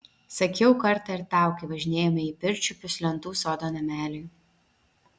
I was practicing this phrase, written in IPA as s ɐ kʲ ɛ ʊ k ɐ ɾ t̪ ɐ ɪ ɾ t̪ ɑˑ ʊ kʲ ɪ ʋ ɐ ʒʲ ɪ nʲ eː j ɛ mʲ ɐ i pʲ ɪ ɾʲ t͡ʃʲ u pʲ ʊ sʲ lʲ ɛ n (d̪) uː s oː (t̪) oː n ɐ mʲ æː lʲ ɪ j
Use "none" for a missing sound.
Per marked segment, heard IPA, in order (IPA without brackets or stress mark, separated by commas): t̪, d̪